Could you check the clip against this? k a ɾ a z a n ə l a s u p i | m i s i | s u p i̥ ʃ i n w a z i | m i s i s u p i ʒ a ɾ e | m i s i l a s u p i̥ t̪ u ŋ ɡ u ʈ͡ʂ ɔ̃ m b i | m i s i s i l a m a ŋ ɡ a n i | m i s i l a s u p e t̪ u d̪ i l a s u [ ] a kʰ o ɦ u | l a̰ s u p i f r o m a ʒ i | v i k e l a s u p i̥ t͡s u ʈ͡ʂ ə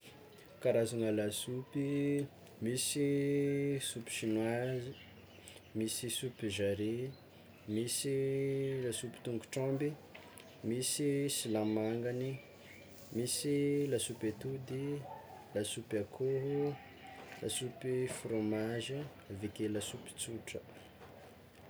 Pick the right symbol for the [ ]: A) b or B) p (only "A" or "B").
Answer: B